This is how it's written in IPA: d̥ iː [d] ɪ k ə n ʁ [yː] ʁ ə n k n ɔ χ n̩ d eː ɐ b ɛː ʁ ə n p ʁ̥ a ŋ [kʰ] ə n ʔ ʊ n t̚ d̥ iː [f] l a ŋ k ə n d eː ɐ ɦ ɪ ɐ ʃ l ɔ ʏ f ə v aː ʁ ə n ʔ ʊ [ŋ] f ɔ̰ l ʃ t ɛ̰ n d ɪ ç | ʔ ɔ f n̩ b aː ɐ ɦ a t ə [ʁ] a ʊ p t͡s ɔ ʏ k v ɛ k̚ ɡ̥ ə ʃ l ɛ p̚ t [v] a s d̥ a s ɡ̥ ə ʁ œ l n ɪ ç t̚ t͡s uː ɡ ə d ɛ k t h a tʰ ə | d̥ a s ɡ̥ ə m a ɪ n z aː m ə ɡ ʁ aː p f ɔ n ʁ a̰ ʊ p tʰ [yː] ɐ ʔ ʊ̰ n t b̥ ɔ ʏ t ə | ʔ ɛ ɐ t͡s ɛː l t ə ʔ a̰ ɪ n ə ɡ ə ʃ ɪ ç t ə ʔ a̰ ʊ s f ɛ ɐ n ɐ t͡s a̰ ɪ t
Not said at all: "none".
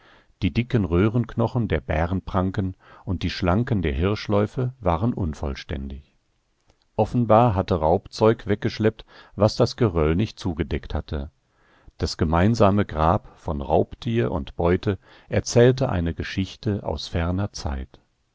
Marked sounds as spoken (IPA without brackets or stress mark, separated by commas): d, øː, k, ʃ, n, ʁ, v, iː